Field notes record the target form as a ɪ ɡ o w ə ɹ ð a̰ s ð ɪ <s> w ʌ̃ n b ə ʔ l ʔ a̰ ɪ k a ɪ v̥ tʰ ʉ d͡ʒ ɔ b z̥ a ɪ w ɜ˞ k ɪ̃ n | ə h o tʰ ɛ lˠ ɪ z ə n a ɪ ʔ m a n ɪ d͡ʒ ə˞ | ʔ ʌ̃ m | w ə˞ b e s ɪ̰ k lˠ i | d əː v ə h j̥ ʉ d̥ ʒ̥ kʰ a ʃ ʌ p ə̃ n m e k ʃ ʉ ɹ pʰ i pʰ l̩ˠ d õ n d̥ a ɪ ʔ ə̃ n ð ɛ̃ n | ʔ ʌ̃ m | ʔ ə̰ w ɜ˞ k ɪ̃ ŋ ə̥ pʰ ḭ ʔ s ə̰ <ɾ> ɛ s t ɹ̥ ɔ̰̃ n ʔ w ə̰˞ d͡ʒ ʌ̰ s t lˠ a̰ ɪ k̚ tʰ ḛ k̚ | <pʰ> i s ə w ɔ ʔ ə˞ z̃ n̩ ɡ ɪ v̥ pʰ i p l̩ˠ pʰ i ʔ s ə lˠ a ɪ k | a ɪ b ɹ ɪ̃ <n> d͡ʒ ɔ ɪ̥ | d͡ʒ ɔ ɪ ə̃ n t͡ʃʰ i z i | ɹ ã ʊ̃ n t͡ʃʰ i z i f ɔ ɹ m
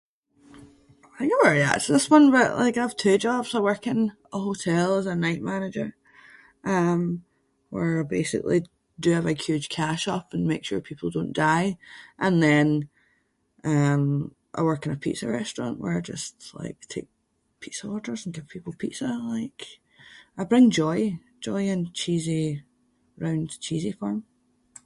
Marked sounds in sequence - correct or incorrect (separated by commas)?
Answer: correct, incorrect, correct, incorrect